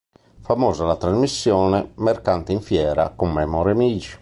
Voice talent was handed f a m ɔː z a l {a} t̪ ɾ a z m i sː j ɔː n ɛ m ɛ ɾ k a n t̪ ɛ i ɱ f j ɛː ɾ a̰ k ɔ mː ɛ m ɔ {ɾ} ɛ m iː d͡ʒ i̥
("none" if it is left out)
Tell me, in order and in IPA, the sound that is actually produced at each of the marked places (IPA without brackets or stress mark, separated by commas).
a, ɾ